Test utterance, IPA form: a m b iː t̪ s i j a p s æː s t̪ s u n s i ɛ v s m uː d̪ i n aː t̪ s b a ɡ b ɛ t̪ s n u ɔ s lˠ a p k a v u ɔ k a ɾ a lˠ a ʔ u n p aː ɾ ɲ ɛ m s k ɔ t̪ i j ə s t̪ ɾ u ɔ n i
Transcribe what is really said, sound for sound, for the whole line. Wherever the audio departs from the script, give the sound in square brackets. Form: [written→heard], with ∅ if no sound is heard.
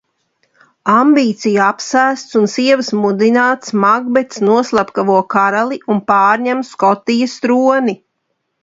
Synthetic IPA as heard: a m b iː t̪ s i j a p s æː s t̪ s u n s i ɛ v s m [uː→u] d̪ i n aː t̪ s [b→m] a ɡ b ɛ t̪ s n u ɔ s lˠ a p k a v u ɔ k a ɾ a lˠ [a→i] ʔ u n p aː ɾ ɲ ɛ m s k ɔ t̪ i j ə s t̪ ɾ u ɔ n i